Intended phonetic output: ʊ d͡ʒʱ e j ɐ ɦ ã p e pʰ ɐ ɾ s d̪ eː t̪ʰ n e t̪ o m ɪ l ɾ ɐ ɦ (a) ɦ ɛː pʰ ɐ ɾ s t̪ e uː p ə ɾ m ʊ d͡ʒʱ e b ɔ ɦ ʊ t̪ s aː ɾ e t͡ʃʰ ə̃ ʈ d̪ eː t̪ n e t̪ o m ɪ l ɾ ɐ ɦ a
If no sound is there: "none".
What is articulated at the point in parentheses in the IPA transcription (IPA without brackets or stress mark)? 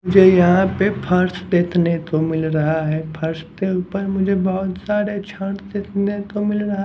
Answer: a